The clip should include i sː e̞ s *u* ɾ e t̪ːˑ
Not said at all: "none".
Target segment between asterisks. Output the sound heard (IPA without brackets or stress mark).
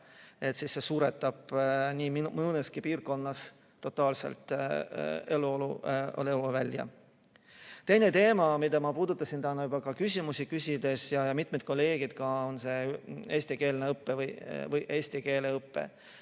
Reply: uː